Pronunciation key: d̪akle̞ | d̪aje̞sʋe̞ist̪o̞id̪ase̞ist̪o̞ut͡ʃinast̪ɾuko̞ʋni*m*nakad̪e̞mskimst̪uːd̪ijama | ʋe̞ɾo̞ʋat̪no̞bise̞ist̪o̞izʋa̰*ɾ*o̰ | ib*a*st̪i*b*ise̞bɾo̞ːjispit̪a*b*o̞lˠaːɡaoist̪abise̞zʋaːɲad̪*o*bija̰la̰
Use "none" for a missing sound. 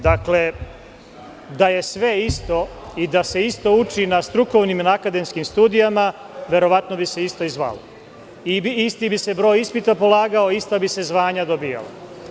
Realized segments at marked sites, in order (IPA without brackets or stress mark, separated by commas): m, l, i, b, p, o